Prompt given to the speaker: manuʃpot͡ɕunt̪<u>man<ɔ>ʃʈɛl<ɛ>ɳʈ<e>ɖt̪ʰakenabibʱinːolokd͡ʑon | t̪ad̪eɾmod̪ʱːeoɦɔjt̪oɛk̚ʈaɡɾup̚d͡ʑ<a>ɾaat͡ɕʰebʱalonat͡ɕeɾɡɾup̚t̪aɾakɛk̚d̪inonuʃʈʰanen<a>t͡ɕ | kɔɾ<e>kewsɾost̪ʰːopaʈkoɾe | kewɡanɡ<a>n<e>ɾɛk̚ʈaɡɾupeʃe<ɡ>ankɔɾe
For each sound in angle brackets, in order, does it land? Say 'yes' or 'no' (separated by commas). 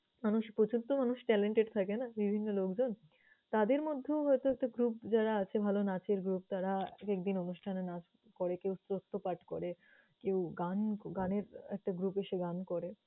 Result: no, no, no, yes, yes, yes, yes, yes, yes, yes